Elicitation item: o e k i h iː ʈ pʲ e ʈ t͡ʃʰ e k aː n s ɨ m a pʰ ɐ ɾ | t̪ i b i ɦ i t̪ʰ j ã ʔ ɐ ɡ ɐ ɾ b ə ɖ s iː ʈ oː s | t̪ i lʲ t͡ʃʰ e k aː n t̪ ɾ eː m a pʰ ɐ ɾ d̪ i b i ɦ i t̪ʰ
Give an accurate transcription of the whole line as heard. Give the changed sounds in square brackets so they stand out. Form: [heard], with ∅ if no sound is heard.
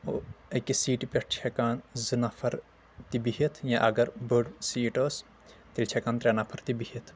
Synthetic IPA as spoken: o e k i [s] iː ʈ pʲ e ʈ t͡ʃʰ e k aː n [z] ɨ [n] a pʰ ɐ ɾ | t̪ i b i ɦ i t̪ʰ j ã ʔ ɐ ɡ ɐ ɾ b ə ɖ s iː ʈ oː s | t̪ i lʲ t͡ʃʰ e k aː n t̪ ɾ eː [n] a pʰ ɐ ɾ [t̪] i b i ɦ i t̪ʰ